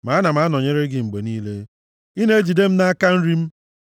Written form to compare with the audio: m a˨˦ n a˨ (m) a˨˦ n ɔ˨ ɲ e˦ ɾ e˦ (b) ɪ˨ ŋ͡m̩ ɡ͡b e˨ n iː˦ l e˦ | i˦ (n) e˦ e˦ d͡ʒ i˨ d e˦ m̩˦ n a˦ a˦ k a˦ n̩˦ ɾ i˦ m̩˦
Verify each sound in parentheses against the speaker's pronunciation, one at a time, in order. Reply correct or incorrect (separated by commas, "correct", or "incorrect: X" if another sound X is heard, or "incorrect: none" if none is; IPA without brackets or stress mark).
correct, incorrect: ɡ, correct